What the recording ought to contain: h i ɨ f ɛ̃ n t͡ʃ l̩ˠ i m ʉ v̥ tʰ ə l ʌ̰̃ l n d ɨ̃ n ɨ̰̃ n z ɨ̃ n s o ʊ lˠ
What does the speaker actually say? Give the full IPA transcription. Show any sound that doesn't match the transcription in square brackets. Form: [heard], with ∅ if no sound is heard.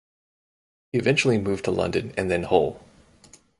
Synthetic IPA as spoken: h i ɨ [v] ɛ̃ n t͡ʃ l̩ˠ i m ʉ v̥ tʰ ə l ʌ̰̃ [∅] n d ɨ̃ n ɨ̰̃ n [ð] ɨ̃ n [h] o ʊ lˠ

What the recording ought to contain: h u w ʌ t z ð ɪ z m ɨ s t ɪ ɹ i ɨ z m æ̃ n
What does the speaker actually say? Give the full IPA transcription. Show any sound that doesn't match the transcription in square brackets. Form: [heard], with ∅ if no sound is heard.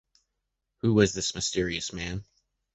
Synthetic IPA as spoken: h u w ʌ [∅] z ð ɪ [s] m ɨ s t ɪ ɹ i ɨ [s] m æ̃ n

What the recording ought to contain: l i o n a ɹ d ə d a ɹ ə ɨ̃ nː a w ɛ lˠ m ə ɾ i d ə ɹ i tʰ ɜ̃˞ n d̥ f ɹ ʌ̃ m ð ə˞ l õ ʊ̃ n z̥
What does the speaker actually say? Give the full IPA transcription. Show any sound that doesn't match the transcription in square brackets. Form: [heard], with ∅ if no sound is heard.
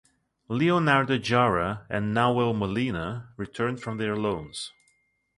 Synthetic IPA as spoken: l i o n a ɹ d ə [d͡ʒ] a ɹ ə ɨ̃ nː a w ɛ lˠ m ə [l] i [n] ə ɹ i tʰ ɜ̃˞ n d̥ f ɹ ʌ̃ m ð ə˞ l õ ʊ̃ n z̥

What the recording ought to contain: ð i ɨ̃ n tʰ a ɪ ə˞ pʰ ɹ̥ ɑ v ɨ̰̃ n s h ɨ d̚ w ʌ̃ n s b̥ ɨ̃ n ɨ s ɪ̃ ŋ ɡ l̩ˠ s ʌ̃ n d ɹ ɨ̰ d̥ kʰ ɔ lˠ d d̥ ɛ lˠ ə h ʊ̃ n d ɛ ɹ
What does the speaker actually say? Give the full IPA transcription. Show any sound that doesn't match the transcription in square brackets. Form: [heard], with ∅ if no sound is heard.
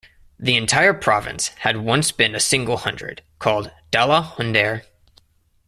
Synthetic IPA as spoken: ð i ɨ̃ n tʰ a ɪ ə˞ pʰ ɹ̥ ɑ v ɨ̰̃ n s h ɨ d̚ w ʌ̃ n s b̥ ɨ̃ n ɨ s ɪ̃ ŋ ɡ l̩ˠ [h] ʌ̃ n d ɹ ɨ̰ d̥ kʰ ɔ lˠ d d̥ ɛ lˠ ə h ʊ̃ n d ɛ ɹ

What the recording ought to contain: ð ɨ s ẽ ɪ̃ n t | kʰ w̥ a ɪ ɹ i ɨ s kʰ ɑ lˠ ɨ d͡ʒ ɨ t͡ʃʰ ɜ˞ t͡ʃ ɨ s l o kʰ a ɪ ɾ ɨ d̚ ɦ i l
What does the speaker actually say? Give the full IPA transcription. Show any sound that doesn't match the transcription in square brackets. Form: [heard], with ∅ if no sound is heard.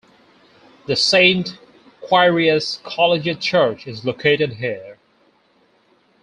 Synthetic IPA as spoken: ð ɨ s ẽ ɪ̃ n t | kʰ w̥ a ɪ ɹ i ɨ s kʰ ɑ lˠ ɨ d͡ʒ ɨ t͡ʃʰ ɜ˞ t͡ʃ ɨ [z] l o kʰ [e] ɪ ɾ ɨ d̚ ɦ i [ɹ]

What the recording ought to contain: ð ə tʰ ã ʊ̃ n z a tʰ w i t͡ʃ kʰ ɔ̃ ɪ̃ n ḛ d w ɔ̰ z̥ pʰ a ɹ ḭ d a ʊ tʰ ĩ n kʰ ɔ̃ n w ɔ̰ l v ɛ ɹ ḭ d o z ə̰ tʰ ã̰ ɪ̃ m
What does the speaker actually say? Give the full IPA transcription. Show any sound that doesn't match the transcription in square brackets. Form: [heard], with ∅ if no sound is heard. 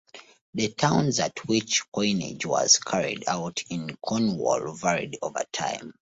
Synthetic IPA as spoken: ð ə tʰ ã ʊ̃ n z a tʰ w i t͡ʃ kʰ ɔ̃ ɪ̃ n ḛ [d͡ʒ] w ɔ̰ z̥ [kʰ] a ɹ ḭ d a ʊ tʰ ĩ n kʰ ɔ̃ n w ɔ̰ l v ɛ ɹ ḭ d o [v] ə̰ tʰ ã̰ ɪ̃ m

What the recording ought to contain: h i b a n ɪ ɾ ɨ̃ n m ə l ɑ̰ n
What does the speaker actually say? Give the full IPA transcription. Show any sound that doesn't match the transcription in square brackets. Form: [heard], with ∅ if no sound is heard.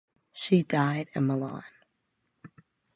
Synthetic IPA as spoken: [ʃ] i [d] a [∅] ɪ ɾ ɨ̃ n m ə l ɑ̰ n

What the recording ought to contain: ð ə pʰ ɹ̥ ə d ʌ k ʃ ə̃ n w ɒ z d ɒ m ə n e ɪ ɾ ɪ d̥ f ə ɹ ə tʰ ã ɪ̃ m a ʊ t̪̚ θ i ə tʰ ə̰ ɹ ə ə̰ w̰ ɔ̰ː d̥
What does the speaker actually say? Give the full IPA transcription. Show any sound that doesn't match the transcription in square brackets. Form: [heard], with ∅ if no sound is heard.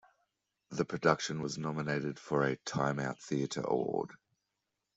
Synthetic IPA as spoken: ð ə pʰ ɹ̥ ə d ʌ k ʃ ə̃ n w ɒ z [n] ɒ m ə n e ɪ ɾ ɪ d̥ f ə ɹ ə tʰ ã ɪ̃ m a ʊ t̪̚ θ i ə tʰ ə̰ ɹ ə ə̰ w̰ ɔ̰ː d̥

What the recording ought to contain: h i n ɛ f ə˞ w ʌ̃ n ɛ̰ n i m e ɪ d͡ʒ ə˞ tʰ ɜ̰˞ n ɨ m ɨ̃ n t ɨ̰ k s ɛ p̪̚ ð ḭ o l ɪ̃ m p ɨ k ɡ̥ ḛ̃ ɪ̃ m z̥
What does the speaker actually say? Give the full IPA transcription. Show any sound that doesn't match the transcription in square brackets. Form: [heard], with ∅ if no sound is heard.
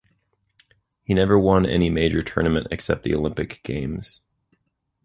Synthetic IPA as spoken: h i n ɛ [v] ə˞ w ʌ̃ n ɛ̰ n i m e ɪ d͡ʒ ə˞ tʰ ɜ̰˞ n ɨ m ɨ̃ n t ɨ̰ k s ɛ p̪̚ ð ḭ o l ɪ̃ m p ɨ k ɡ̥ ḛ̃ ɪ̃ m z̥

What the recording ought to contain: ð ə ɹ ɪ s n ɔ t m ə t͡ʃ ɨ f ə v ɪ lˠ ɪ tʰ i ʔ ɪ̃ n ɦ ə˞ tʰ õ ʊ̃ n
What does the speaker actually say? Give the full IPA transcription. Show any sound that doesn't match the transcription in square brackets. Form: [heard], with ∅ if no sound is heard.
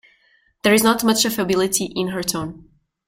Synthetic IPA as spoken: ð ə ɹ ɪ [z] n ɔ t m [ʌ] t͡ʃ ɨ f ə [b] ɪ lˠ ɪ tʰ i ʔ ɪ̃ n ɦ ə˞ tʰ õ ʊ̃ n

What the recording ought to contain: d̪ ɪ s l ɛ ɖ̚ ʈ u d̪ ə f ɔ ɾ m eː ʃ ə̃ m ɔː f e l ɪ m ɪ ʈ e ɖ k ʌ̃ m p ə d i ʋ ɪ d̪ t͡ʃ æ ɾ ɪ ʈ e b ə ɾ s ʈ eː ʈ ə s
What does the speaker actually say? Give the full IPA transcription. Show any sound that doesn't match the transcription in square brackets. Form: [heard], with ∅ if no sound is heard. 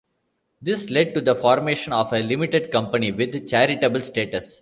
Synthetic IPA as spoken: d̪ ɪ s l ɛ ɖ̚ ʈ u d̪ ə f [ɔː] ɾ m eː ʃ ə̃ [n] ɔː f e l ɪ m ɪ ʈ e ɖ k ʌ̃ m p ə [n] i ʋ ɪ d̪ t͡ʃ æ ɾ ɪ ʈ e b ə [l] s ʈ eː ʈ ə s

